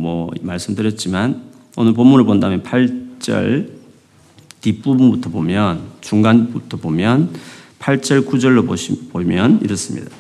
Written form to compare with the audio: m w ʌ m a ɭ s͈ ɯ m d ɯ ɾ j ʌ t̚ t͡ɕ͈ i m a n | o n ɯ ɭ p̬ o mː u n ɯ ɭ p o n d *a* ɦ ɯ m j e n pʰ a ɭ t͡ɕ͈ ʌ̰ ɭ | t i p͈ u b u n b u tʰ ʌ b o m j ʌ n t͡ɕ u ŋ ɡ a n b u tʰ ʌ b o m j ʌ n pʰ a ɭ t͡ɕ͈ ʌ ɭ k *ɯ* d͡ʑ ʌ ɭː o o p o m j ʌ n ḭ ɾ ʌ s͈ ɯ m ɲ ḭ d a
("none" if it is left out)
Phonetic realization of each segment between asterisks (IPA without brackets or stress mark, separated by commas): a, u